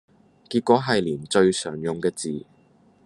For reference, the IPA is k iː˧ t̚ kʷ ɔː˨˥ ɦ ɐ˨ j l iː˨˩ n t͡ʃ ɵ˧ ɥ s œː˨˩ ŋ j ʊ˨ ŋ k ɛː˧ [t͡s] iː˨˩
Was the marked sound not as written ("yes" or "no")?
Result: no